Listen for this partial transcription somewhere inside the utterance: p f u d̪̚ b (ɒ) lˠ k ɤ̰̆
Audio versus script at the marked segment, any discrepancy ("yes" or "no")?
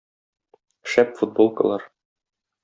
yes